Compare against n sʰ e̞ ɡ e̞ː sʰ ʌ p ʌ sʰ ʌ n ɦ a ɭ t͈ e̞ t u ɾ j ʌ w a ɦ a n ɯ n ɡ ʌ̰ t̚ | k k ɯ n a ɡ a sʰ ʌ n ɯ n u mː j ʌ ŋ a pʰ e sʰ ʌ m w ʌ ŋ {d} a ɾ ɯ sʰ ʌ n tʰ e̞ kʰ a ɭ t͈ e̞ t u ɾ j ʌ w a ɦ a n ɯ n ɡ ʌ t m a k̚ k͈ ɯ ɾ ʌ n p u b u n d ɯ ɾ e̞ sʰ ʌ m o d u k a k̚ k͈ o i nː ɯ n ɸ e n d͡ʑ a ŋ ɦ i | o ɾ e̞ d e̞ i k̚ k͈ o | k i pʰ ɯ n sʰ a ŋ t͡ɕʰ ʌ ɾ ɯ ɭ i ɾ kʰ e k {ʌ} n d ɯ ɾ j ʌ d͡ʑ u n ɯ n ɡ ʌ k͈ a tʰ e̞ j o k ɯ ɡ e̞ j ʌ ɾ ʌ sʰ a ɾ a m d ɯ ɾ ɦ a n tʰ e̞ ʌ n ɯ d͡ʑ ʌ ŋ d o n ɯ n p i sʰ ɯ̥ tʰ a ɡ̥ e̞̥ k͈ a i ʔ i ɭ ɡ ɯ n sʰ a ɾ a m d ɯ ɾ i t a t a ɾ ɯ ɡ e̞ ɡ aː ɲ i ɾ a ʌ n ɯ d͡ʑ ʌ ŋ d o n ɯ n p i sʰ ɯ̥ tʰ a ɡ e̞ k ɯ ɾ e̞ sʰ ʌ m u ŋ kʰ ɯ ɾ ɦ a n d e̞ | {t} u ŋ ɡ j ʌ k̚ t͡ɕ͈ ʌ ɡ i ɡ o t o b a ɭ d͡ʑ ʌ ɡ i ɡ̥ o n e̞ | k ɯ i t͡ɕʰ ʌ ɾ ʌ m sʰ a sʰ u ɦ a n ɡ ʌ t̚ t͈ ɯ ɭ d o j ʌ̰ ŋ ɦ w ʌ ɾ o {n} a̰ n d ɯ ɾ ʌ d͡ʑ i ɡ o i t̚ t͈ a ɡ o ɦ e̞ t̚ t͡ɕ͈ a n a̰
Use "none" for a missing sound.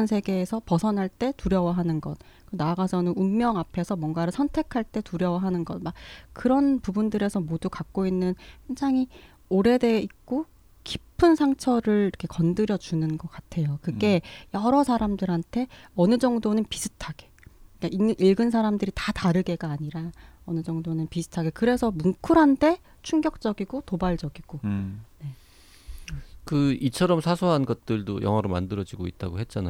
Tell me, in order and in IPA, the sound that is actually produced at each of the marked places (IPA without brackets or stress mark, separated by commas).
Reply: ɡ, ʌ, t͡ɕʰ, m